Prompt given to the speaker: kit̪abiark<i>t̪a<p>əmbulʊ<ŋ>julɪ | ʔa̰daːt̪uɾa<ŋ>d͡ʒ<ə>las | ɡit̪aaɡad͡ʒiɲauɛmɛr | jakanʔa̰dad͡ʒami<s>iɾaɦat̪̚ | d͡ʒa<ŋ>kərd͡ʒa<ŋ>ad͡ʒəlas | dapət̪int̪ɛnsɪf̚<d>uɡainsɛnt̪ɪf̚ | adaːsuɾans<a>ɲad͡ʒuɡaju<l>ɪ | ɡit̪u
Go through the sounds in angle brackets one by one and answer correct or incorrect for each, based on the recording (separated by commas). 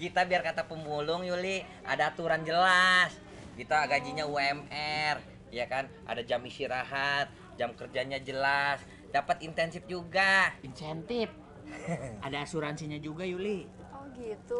incorrect, correct, correct, incorrect, correct, correct, incorrect, incorrect, incorrect, incorrect, correct